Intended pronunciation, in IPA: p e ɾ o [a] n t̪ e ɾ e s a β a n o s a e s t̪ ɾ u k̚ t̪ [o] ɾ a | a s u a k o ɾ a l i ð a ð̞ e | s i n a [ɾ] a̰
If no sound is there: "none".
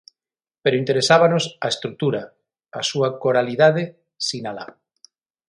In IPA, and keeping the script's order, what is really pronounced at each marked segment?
i, u, l

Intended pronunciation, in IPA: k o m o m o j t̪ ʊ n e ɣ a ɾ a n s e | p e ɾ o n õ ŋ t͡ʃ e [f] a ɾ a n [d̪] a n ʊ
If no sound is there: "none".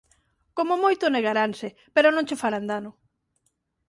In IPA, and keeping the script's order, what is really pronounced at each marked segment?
f, d̪

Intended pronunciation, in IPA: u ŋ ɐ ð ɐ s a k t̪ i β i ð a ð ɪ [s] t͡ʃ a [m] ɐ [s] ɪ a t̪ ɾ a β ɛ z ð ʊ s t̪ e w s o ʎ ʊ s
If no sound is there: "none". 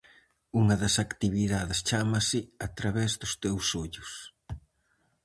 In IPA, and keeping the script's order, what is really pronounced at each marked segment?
s, m, s

